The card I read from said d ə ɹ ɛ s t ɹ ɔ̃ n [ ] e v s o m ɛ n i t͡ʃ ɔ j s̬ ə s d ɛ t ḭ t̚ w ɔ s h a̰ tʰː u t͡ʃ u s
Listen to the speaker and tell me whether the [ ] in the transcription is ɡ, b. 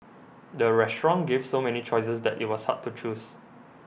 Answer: ɡ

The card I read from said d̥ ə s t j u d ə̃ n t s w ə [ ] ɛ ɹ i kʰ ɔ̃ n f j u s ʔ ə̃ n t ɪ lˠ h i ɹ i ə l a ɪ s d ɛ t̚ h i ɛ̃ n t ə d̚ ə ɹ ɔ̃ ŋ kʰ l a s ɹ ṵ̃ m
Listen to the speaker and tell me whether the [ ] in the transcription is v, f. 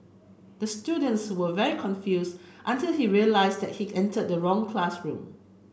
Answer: v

